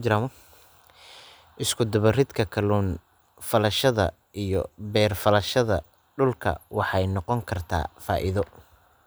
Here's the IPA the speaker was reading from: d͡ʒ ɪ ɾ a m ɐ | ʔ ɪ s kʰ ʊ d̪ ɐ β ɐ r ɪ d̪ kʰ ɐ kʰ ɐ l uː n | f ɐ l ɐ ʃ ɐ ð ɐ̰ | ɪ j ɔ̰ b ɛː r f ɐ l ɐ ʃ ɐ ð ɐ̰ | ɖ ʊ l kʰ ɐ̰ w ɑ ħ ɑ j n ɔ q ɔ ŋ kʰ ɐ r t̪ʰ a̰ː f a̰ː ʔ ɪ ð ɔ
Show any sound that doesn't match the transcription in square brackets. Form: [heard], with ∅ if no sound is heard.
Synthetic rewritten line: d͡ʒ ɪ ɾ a m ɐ | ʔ ɪ s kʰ ʊ d̪ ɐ β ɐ r ɪ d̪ kʰ ɐ kʰ ɐ l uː n | f ɐ l ɐ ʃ ɐ ð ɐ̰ | [i] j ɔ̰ b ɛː r f ɐ l ɐ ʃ ɐ ð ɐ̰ | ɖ ʊ l kʰ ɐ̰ w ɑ ħ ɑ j n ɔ q ɔ ŋ kʰ ɐ r t̪ʰ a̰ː f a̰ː ʔ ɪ ð ɔ